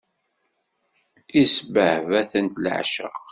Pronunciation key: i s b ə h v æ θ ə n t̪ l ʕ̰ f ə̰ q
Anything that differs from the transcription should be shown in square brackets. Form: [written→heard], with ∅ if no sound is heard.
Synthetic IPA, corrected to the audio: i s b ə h v æ θ ə n t̪ l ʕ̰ [f→ʃ] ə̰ q